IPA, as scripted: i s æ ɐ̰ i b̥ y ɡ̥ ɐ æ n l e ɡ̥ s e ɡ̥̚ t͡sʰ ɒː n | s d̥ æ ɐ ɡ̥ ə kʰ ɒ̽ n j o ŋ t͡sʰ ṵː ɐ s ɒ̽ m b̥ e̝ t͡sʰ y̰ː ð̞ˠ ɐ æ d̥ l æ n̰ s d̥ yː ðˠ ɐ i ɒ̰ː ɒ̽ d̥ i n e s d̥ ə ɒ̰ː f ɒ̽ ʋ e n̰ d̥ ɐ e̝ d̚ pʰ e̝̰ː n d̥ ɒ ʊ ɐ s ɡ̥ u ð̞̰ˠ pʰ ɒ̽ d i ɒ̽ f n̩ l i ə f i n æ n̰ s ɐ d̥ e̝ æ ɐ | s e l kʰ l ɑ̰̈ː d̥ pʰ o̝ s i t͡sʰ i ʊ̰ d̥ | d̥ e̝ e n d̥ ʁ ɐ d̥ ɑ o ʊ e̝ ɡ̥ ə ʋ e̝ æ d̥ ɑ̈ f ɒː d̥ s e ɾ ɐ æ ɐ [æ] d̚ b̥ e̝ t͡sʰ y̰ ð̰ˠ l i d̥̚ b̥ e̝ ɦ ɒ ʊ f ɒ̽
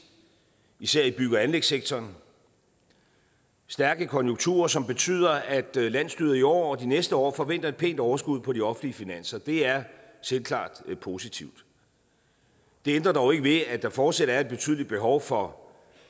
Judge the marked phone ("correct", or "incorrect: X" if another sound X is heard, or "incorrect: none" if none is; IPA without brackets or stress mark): incorrect: e